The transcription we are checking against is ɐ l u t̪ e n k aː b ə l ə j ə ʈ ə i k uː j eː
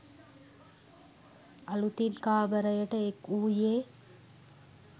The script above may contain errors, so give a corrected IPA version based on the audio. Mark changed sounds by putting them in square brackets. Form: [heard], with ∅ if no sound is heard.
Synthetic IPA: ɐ l u t̪ [i] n k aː b ə [ɾ] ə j ə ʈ ə [e] k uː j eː

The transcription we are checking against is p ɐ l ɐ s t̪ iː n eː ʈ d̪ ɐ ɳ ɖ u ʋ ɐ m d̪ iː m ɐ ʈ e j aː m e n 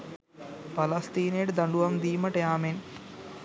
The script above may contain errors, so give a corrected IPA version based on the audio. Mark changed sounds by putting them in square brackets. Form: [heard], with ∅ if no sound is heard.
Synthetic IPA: p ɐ l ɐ s t̪ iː n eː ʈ d̪ ɐ ɳ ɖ u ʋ ɐ m d̪ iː m ɐ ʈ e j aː m e n

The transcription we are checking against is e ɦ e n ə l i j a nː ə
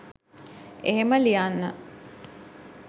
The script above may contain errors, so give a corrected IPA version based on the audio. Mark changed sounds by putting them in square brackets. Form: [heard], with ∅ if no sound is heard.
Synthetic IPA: e ɦ e [m] ə l i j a nː ə

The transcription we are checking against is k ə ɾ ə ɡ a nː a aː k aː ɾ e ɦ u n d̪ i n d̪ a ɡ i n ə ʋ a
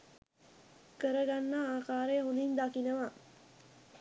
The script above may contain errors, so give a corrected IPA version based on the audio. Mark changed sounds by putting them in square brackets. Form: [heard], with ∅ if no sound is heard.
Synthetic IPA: k ə ɾ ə ɡ a nː a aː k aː ɾ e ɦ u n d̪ i n d̪ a [k] i n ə ʋ a

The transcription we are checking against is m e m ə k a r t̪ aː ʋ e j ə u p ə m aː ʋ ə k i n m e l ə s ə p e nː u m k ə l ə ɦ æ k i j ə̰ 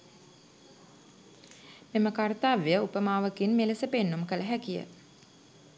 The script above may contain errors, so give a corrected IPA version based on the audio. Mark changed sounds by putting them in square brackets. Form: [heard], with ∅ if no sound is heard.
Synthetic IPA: m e m ə k a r t̪ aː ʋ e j ə u p ə m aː ʋ ə k i n m e l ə s ə p e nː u m k ə l ə ɦ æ k i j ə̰

